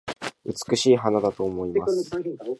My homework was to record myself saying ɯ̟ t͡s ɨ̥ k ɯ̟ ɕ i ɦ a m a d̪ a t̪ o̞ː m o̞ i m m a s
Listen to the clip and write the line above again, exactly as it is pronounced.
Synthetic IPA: ɯ̟ t͡s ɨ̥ k ɯ̟ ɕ iː ɦ a n a d̪ a t̪ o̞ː m o̞ i m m a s

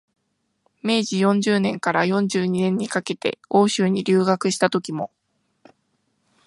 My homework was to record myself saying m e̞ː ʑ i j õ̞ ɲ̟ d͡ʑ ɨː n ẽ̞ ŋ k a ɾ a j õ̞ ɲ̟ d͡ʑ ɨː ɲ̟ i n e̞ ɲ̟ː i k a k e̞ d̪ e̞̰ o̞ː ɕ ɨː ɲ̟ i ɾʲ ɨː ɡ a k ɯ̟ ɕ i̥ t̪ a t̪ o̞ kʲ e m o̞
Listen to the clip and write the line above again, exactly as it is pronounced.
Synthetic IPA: m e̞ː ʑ i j õ̞ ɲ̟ d͡ʑ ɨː n ẽ̞ ŋ k a ɾ a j õ̞ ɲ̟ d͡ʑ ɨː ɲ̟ i n ẽ̞ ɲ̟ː i k a k e̞ t̪ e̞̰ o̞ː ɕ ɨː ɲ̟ i ɾʲ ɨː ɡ a k ɯ̟ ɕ i̥ t̪ a t̪ o̞ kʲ i m o̞

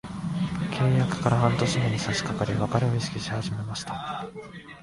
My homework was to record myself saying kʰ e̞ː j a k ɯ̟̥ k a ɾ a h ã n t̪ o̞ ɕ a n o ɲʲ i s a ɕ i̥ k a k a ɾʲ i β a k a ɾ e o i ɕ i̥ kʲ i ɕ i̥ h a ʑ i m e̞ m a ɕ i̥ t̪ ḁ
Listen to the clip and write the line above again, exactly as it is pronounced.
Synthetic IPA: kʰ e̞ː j a k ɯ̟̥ k a ɾ a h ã n t̪ o̞ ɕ i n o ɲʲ i s a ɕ i̥ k a k a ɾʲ i β a k a ɾ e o i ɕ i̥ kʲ i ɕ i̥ h a ʑ i m e̞ m a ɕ i̥ t̪ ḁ

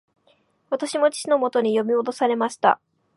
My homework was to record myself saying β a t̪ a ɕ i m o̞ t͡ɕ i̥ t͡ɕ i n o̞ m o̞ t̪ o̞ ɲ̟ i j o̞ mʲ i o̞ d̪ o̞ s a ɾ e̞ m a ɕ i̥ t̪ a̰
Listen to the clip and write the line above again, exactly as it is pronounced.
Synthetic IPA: β a t̪ a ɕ i m o̞ t͡ɕ i̥ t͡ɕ i n o̞ m o̞ t̪ o̞ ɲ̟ i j o̞ mʲ i o̞ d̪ o̞ s a ɾ e̞ m a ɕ i̥ t̪ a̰

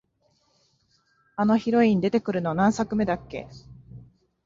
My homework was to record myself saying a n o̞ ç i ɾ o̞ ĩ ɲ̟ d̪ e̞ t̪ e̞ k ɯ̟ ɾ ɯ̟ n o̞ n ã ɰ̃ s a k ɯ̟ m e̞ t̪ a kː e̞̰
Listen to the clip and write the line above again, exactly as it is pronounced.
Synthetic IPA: a n o̞ ç i ɾ o̞ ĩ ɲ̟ d̪ e̞ t̪ e̞ k ɯ̟ ɾ ɯ̟ n o̞ n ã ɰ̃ s a k ɯ̟ m e̞ d̪ a kː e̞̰

